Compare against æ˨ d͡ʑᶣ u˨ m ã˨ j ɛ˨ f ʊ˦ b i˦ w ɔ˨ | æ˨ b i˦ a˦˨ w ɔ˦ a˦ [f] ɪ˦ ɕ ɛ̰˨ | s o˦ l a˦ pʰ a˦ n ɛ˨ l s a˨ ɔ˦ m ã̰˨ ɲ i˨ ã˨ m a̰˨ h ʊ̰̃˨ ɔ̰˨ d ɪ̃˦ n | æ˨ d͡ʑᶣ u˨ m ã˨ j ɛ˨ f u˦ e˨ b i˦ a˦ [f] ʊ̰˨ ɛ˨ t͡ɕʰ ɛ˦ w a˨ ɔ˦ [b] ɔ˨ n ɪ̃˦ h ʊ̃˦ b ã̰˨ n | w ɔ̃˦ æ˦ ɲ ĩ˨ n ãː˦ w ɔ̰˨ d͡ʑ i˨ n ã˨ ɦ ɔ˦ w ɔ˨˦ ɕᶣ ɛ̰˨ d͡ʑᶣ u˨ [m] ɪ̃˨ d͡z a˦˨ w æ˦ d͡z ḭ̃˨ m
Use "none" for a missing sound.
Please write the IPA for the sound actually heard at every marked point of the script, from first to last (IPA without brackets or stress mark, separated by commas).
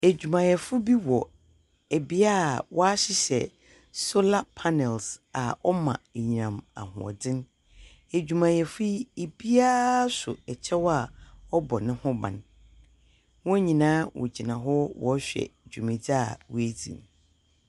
ɕ, s, b, m